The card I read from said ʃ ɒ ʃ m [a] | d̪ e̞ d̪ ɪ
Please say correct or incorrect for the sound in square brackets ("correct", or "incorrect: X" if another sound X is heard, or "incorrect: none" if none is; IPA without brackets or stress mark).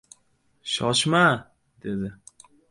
correct